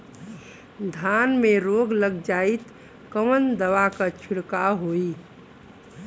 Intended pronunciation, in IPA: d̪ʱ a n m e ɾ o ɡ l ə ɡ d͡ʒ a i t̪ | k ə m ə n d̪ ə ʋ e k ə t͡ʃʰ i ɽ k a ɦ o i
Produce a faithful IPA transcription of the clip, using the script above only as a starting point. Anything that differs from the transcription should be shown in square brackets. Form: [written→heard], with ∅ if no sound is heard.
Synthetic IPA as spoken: d̪ʱ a n m e ɾ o ɡ l ə ɡ d͡ʒ a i t̪ | k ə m ə n d̪ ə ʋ [e→a] k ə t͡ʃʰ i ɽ k a ɦ o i